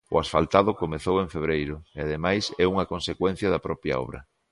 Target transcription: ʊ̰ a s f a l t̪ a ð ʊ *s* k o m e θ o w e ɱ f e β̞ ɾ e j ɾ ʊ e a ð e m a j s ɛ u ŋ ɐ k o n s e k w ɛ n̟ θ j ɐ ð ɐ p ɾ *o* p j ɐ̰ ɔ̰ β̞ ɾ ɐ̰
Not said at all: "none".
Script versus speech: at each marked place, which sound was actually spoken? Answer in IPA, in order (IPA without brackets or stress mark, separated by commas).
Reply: none, ɔ